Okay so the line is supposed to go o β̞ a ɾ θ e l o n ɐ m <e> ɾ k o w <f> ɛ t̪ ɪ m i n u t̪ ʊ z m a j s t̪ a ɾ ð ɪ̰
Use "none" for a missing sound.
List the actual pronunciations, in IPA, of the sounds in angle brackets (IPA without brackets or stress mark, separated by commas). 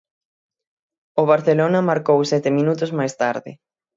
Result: a, s